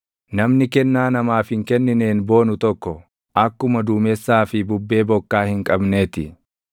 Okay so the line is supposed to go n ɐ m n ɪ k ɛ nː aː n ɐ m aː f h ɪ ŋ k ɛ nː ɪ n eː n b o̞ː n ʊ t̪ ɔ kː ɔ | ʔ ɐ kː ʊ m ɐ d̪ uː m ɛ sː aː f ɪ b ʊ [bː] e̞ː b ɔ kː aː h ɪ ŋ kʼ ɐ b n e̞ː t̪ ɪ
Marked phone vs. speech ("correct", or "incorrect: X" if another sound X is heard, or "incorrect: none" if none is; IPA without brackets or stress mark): correct